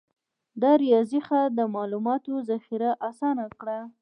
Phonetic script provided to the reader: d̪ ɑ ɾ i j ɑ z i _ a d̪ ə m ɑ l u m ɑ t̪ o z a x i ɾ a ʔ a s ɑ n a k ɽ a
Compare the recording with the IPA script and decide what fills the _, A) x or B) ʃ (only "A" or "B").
A